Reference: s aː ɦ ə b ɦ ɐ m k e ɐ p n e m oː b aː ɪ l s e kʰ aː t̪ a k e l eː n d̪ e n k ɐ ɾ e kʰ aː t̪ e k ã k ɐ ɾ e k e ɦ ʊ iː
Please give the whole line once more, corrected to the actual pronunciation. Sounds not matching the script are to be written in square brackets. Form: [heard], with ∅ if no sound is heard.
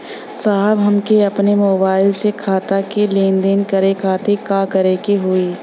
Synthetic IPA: s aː ɦ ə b ɦ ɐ m k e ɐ p n e m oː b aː ɪ l s e kʰ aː t̪ a k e l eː n d̪ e n k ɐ ɾ e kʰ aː t̪ e k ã k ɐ ɾ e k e ɦ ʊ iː